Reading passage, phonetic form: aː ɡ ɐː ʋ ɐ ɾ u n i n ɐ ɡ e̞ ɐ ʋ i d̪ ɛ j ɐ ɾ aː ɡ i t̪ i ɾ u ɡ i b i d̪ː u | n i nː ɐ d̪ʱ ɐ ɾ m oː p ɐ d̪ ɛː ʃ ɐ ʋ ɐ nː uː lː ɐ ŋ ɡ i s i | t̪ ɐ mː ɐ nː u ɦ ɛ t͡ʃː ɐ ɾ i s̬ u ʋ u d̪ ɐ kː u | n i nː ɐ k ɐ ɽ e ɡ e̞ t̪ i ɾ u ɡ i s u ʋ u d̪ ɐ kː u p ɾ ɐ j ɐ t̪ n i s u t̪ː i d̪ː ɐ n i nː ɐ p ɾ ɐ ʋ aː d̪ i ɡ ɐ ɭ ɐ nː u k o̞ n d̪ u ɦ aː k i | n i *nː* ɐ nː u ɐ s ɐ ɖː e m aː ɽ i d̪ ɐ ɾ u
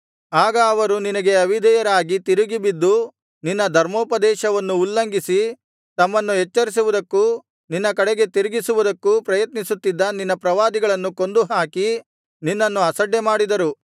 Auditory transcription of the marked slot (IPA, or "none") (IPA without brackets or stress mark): nː